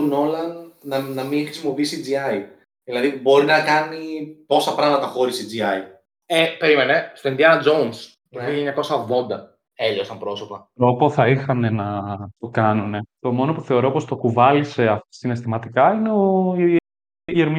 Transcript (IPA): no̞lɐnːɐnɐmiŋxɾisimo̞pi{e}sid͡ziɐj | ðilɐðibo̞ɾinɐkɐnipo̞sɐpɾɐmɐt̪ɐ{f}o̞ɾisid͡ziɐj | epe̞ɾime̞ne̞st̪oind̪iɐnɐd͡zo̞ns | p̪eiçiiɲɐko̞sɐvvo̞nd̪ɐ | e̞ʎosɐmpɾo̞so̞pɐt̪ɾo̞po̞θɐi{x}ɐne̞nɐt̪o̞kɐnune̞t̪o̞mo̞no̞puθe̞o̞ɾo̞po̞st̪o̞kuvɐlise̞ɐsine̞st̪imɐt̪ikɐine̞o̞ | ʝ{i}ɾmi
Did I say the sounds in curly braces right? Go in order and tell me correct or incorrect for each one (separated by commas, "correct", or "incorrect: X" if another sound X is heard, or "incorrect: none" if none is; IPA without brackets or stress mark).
incorrect: i, incorrect: x, correct, incorrect: e